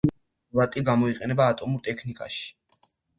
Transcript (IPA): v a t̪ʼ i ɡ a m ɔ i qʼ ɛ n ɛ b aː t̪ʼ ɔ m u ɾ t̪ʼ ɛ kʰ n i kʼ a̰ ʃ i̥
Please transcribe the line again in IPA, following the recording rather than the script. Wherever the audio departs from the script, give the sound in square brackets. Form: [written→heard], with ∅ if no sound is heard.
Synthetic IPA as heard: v a t̪ʼ i ɡ a m ɔ i qʼ ɛ n ɛ b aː t̪ʼ ɔ m u ɾ t̪ʼ ɛ kʰ n i kʼ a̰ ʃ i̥